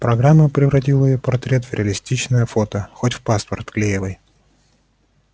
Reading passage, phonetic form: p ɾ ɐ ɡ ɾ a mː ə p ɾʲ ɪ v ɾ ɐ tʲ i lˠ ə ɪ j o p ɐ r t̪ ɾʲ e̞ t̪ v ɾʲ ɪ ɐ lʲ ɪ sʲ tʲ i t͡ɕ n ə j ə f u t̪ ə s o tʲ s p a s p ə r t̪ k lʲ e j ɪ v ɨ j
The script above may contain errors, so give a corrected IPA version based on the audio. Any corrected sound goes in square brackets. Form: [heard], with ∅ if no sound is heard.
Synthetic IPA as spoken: p ɾ ɐ ɡ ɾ a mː ə p ɾʲ ɪ v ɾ ɐ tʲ i lˠ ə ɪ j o p ɐ r t̪ ɾʲ e̞ t̪ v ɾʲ ɪ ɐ lʲ ɪ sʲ tʲ i t͡ɕ n ə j ə f [o] t̪ ə [x] o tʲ [f] p a s p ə r t̪ k lʲ e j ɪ v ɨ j